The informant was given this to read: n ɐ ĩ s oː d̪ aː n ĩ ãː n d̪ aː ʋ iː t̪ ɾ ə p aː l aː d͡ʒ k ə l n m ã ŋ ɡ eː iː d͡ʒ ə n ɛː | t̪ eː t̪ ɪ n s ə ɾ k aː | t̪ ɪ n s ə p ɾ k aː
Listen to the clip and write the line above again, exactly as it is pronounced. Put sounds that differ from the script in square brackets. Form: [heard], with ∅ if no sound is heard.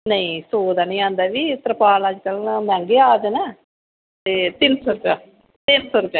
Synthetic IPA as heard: n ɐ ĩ s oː d̪ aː n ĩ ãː n d̪ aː ʋ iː t̪ ɾ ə p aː l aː d͡ʒ k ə l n m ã ŋ ɡ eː [aː] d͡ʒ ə n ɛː | t̪ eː t̪ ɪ n s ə ɾ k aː | t̪ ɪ n s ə [∅] ɾ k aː